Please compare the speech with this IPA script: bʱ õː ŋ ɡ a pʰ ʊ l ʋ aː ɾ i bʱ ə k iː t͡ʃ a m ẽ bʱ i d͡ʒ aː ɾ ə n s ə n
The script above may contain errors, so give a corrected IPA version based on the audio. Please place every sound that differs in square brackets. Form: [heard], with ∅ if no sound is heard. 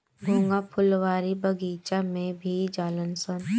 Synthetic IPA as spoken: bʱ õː ŋ ɡ a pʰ ʊ l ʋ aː ɾ i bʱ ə [ɡ] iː t͡ʃ a m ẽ bʱ i d͡ʒ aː [l] ə n s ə n